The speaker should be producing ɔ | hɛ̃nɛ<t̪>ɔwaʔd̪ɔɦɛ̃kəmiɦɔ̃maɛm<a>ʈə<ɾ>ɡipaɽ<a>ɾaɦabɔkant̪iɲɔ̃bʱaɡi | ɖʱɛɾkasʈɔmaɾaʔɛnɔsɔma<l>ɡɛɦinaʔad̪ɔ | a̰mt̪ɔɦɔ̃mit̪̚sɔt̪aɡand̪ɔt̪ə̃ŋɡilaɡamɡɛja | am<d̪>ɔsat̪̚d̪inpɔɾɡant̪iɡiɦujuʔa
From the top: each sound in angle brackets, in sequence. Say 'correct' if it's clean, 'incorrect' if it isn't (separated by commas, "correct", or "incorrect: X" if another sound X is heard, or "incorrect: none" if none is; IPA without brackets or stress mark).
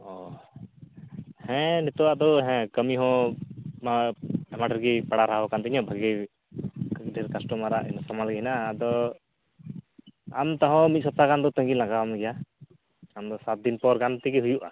correct, correct, correct, correct, correct, correct